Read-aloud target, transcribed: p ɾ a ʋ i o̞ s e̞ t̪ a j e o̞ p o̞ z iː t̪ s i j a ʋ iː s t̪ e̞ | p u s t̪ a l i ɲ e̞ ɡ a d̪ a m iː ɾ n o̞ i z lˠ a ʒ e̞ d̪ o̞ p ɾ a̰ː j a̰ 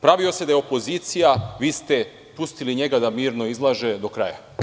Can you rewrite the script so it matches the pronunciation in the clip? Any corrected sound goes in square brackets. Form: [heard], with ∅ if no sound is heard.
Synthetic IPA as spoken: p ɾ a ʋ i o̞ s e̞ [d̪] a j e o̞ p o̞ z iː t̪ s i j a ʋ iː s t̪ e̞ | p u s t̪ [i] l i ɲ e̞ ɡ a d̪ a m iː ɾ n o̞ i z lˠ a ʒ e̞ d̪ o̞ [k] ɾ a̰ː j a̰

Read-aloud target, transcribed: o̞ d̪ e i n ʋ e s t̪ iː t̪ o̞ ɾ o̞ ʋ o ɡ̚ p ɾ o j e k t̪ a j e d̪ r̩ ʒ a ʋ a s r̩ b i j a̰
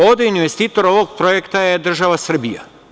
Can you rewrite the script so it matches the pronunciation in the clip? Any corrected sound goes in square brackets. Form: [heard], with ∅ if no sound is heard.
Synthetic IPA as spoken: o̞ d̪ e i n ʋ e s t̪ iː t̪ o̞ ɾ o̞ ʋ o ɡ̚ p ɾ o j e k t̪ a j e d̪ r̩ ʒ a ʋ a s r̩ b i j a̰

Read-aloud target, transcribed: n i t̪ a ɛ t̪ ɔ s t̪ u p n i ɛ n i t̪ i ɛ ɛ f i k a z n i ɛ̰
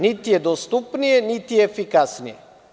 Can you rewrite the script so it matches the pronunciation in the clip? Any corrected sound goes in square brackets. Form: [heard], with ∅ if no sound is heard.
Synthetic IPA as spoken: n i t̪ [i] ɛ [d̪] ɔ s t̪ u p n i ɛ n i t̪ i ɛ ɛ f i k a [s] n i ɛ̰

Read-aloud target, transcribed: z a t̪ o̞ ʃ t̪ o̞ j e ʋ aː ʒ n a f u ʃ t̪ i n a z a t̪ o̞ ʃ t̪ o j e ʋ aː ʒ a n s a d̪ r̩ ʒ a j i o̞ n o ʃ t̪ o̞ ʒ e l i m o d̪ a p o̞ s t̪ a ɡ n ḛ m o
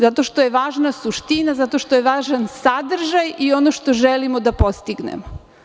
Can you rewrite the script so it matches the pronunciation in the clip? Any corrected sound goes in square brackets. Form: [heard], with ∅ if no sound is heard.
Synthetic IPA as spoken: z a t̪ o̞ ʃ t̪ o̞ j e ʋ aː ʒ n a [s] u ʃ t̪ i n a z a t̪ o̞ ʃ t̪ o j e ʋ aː ʒ a n s a d̪ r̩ ʒ a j i o̞ n o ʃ t̪ o̞ ʒ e l i m o d̪ a p o̞ s t̪ [i] ɡ n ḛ m o

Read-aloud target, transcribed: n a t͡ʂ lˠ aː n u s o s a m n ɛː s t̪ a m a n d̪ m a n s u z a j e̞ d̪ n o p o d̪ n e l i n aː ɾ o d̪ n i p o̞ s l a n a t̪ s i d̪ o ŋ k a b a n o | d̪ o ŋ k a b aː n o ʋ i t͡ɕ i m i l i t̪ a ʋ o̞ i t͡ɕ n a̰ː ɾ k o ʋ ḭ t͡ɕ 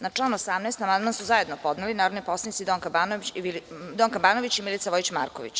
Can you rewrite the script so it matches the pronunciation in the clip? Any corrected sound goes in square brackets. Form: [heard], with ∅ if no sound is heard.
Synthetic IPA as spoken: n a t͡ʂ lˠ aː n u [∅] o s a m n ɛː s t̪ a m a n d̪ m a n s u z a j e̞ d̪ n o p o d̪ n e l i n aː ɾ o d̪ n i p o̞ s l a n [i] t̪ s i d̪ o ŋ k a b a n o | d̪ o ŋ k a b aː n o ʋ i t͡ɕ i m i l i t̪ a ʋ o̞ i t͡ɕ [m] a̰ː ɾ k o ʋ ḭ t͡ɕ

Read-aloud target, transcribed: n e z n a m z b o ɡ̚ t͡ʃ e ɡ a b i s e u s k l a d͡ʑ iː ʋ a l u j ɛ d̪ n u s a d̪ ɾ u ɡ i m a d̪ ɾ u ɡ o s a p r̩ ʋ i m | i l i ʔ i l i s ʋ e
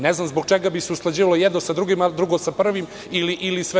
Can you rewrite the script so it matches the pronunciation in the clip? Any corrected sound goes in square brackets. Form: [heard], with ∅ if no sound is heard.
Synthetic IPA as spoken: n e z n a m z b o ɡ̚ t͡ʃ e ɡ a b i s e u s k l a d͡ʑ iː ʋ a l [o] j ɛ d̪ n [o] s a d̪ ɾ u ɡ i m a d̪ ɾ u ɡ o s a p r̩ ʋ i m | i l i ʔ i l i s ʋ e

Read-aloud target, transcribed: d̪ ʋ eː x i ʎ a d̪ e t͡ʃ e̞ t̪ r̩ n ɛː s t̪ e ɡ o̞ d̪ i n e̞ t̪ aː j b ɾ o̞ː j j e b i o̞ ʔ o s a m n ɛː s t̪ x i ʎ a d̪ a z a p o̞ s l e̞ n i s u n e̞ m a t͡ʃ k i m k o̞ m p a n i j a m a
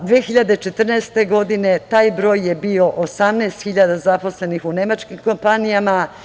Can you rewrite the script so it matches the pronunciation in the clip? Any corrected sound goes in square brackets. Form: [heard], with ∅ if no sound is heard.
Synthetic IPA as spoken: d̪ ʋ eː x i ʎ a d̪ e t͡ʃ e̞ t̪ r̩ n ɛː s t̪ e ɡ o̞ d̪ i n e̞ t̪ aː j b ɾ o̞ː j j e b i o̞ ʔ o s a m n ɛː s t̪ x i ʎ a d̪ a z a p o̞ s l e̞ n i [x] u n e̞ m a t͡ʃ k i m k o̞ m p a n i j a m a

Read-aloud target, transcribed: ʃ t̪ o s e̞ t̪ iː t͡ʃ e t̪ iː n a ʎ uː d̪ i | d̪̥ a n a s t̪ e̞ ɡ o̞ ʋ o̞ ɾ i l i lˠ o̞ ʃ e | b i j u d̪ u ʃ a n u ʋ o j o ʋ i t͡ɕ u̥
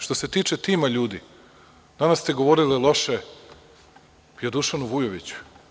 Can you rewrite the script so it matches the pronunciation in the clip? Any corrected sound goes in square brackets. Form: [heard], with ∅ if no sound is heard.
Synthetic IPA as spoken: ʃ t̪ o s e̞ t̪ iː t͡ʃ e t̪ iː [m] a ʎ uː d̪ i | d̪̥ a n a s t̪ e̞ ɡ o̞ ʋ o̞ ɾ i l i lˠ o̞ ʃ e | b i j [o] d̪ u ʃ a n u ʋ [u] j o ʋ i t͡ɕ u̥

